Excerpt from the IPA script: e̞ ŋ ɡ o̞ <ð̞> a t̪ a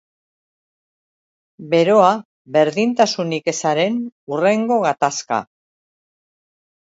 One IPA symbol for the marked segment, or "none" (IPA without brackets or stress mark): ɣ̞